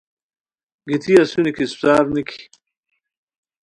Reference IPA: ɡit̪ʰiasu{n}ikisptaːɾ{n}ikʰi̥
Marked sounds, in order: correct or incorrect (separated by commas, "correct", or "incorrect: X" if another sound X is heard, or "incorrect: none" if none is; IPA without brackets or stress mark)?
correct, correct